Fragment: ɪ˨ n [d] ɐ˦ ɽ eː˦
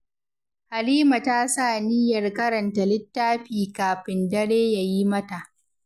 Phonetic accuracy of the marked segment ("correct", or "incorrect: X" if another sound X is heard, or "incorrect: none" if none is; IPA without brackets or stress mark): correct